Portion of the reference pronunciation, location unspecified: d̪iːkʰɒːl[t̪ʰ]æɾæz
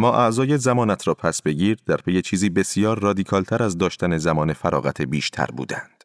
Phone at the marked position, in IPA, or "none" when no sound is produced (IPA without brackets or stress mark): t̪ʰ